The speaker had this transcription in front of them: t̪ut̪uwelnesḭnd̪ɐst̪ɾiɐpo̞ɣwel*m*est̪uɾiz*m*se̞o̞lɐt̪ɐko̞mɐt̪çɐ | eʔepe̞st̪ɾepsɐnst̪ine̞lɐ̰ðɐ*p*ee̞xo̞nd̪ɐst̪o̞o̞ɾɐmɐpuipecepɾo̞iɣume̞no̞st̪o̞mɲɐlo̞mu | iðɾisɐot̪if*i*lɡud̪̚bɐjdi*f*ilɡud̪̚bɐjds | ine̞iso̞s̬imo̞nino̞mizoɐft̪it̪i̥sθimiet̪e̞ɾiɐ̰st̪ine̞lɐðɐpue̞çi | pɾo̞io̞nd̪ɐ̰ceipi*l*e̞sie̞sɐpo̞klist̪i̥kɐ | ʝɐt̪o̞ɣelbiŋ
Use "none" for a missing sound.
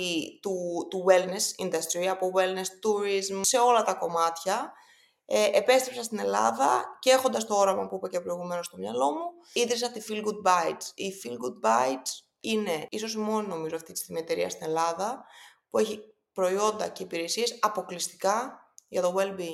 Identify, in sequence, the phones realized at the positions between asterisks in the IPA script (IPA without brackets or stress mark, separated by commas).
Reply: n, m, c, i, f, ɾ